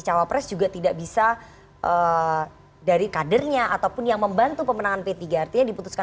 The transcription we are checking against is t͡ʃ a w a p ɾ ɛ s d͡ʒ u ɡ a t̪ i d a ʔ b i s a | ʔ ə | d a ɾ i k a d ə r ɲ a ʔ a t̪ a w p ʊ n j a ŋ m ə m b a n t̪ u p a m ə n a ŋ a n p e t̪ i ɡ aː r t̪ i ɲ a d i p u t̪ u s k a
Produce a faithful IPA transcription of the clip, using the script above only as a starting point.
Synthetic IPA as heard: t͡ʃ a w a p ɾ ɛ s d͡ʒ u ɡ a t̪ i d a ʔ b i s a | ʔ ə | d a ɾ i k a d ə r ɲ a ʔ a t̪ a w p ʊ n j a ŋ m ə m b a n t̪ u p ə m ə n a ŋ a n p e t̪ i ɡ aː r t̪ i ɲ a d i p u t̪ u s k a